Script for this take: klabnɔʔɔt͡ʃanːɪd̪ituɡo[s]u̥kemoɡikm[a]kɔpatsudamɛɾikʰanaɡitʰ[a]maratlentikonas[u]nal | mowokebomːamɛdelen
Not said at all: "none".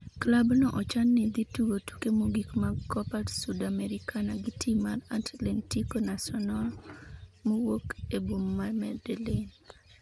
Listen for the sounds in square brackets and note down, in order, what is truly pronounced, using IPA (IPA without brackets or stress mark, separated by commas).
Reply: t, a, i, ɔ